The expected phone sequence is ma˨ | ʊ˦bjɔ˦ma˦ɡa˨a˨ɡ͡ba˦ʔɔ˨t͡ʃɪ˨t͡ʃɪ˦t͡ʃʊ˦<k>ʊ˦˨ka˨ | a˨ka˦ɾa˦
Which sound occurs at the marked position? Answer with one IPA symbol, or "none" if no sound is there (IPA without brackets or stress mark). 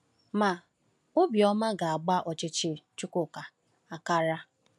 k